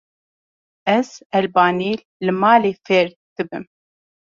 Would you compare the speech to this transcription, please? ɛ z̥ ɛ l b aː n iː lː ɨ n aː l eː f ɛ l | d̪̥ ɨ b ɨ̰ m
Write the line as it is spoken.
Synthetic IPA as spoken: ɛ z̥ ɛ l b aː n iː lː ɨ m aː l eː f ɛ ɾ | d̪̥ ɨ b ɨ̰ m